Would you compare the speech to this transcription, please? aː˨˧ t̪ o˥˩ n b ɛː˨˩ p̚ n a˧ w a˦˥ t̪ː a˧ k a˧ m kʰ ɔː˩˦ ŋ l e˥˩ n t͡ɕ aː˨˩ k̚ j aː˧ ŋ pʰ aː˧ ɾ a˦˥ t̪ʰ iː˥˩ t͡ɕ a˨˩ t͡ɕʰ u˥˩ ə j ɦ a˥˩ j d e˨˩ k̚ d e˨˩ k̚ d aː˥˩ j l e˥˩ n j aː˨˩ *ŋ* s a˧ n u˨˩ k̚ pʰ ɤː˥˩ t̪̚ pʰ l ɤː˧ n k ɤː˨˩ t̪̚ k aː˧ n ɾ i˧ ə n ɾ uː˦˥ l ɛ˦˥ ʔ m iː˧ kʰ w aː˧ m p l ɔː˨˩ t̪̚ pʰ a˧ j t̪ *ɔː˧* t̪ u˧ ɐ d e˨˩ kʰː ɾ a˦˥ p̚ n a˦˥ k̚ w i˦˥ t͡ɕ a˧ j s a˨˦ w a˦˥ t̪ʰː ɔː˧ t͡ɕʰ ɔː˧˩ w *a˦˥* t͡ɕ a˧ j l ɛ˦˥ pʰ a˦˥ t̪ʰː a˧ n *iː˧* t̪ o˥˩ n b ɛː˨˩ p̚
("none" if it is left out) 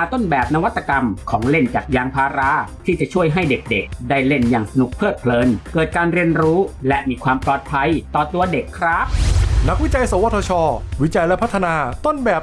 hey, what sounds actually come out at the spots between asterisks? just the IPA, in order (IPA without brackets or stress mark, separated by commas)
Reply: ŋ, ɔː˨˩, i˦˥, aː˧